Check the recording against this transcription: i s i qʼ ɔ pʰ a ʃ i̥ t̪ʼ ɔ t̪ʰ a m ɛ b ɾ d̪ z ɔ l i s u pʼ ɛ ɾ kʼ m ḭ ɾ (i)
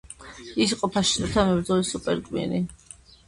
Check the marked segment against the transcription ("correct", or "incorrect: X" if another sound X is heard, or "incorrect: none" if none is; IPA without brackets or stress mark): correct